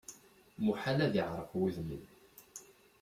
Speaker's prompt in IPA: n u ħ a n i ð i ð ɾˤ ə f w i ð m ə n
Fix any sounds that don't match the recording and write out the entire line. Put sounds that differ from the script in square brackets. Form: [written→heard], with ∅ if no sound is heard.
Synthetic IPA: [n→m] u ħ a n [i→æ] ð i [ð→ʕ] ɾˤ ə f w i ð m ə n

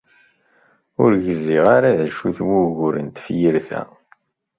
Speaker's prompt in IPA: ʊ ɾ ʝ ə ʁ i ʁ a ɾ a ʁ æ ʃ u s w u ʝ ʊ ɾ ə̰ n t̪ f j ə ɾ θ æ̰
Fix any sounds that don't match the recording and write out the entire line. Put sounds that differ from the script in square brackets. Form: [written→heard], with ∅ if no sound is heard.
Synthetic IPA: ʊ ɾ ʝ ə [ʁ→z] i ʁ a ɾ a [ʁ→ð] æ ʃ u [s→θ] w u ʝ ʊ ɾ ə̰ n t̪ f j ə ɾ θ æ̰

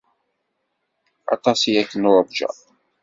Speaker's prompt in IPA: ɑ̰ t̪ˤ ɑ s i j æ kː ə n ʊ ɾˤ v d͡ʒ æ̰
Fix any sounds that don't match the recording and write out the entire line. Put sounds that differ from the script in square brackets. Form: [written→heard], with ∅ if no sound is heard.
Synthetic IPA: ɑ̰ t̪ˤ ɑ s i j æ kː ə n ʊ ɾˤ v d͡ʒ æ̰

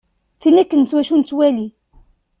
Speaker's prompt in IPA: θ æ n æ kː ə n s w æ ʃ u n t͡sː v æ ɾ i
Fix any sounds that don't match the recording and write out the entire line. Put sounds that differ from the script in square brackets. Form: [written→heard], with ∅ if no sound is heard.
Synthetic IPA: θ [æ→i] n æ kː ə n s w æ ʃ u n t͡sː [v→w] æ [ɾ→l] i

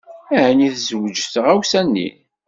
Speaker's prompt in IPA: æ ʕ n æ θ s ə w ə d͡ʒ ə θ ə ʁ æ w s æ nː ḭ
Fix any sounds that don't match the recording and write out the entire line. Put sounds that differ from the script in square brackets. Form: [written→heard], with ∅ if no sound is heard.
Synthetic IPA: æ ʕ n [æ→i] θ [s→z] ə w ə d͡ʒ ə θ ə ʁ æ w s æ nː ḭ

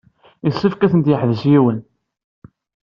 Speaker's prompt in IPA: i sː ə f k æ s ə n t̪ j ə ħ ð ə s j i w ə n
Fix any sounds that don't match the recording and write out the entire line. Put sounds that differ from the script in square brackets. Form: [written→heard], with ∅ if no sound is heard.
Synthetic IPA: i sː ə f k æ [s→θ] ə n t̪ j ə ħ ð ə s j i w ə n

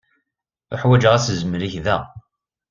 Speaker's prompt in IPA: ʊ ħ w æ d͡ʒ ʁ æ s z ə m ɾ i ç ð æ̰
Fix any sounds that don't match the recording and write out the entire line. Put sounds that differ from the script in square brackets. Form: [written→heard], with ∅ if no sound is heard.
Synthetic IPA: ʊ ħ w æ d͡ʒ ʁ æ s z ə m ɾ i ç ð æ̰

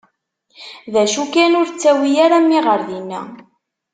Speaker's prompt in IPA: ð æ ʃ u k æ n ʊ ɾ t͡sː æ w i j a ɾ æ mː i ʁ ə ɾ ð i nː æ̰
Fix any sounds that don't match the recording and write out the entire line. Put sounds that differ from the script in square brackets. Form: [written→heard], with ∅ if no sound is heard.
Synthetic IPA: ð æ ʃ u k æ n ʊ ɾ t͡sː æ w i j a ɾ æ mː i ʁ ə ɾ ð i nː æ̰

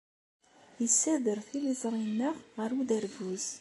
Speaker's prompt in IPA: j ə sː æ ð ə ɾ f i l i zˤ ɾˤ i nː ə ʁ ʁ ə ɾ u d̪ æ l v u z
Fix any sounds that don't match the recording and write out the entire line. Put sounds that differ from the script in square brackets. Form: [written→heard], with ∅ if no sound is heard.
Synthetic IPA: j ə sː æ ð ə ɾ [f→θ] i l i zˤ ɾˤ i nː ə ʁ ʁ ə ɾ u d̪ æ [l→ɾ] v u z

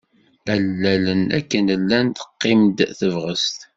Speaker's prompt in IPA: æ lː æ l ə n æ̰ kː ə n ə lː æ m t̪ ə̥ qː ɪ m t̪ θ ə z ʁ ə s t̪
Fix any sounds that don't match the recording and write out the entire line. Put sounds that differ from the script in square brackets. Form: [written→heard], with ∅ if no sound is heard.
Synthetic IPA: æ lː æ l ə n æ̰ kː ə n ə lː æ [m→n] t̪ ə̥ qː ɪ m [t̪→d̪] θ ə [z→v] ʁ ə s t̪

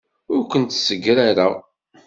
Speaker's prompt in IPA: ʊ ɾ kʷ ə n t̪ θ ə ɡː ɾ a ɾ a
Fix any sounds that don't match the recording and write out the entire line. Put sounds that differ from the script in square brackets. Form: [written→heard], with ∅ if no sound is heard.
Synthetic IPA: ʊ ɾ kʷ ə n t̪ [θ→s] ə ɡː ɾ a ɾ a

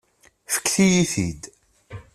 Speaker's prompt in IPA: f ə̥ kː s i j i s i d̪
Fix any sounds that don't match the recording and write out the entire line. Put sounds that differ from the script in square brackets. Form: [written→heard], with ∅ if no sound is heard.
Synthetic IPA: f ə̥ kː [s→θ] i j i [s→θ] i d̪

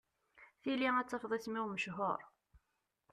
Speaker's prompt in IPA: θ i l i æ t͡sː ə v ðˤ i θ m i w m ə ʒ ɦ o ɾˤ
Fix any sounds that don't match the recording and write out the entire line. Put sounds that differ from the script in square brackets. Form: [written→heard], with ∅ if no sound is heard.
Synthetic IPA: θ i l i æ t͡sː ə [v→f] ðˤ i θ m i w m ə [ʒ→ʃ] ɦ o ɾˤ

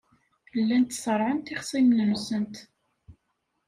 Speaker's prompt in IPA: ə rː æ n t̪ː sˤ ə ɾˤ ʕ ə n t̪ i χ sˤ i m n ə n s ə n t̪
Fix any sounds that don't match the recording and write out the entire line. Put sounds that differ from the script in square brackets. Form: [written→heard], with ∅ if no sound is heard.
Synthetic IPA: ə [rː→lː] æ n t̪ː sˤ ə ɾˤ ʕ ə n t̪ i χ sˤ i m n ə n s ə n t̪

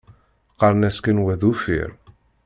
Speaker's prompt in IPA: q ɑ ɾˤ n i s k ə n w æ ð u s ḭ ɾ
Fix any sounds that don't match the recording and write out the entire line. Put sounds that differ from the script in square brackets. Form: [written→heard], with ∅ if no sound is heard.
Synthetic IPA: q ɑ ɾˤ n [i→æ] s k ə n w æ ð u [s→f] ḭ ɾ

